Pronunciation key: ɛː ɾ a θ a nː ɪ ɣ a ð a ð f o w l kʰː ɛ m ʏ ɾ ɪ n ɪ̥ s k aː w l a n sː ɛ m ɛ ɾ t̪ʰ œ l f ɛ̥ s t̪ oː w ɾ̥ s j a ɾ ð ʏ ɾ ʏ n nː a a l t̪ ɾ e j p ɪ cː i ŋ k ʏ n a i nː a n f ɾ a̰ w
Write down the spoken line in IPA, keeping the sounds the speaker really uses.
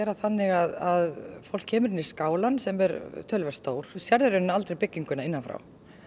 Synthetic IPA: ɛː ɾ a θ a nː ɪ ɣ a ð a ð f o w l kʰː ɛː m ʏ ɾ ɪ n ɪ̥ s k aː w l a n s ɛ m ɛ ɾ t̪ʰ œ l v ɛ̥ s t̪ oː w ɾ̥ s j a ɾ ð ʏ ɾ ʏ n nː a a l t̪ ɾ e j p ɪ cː i ŋ k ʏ n a ɪ nː a n f ɾ a̰ w